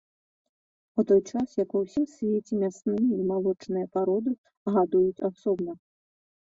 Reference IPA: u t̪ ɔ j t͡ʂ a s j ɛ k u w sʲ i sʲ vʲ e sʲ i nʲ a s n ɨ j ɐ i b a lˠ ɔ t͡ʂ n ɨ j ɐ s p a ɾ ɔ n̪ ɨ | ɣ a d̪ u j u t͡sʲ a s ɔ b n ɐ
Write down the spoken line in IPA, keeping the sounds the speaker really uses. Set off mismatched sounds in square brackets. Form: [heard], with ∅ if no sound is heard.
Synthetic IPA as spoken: u t̪ ɔ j t͡ʂ a s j [a] k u w sʲ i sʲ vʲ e [t͡sʲ] i [mʲ] a s n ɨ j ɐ i [m] a lˠ ɔ t͡ʂ n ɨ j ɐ [∅] p a ɾ ɔ [d̪] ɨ | ɣ a d̪ u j u t͡sʲ a s ɔ b n ɐ